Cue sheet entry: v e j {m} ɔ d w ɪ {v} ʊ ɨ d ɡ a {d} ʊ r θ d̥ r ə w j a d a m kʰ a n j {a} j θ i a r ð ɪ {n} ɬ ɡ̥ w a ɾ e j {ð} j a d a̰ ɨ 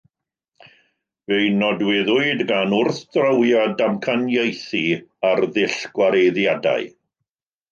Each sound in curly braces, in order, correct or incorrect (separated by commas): incorrect, incorrect, incorrect, incorrect, incorrect, correct